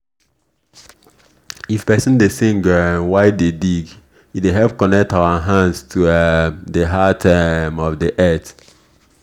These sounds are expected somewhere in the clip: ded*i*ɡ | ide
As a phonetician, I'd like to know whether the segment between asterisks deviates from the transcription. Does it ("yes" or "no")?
no